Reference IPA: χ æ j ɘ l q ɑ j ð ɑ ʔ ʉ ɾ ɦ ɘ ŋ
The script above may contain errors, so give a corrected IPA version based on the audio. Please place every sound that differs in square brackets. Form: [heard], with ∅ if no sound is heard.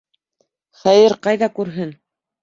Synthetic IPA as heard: χ æ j ɘ [ɾ] q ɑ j ð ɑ [k] ʉ ɾ ɦ ɘ [n]